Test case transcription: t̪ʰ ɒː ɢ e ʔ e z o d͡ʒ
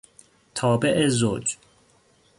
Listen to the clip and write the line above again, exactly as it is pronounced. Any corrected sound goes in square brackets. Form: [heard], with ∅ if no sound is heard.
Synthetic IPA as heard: t̪ʰ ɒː [b] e ʔ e z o d͡ʒ